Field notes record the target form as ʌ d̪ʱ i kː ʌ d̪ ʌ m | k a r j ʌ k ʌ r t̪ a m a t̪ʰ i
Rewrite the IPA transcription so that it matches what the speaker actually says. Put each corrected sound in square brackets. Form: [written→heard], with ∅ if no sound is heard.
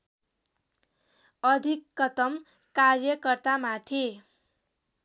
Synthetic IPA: ʌ d̪ʱ i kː ʌ [d̪→t̪] ʌ m | k a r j ʌ k ʌ r t̪ a m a t̪ʰ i